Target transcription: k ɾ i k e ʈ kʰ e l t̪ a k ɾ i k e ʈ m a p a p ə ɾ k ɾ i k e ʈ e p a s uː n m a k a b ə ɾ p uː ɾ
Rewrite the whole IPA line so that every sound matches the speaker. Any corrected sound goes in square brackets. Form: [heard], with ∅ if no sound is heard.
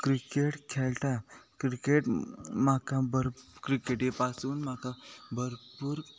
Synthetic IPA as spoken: k ɾ i k e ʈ kʰ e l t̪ a k ɾ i k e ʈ m a [k] a [b] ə ɾ k ɾ i k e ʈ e p a s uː n m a k a b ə ɾ p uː ɾ